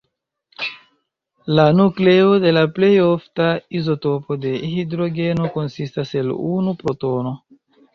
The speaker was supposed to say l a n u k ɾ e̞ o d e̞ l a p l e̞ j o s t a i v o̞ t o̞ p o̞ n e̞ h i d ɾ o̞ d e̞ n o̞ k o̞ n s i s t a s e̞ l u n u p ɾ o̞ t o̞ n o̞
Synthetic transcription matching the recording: l a n u k l e̞ o d e̞ l a p l e̞ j o f t a i z o̞ t o̞ p o̞ d e̞ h i d ɾ o̞ ɡ e̞ n o̞ k o̞ n s i s t a s e̞ l u n u p ɾ o̞ t o̞ n o̞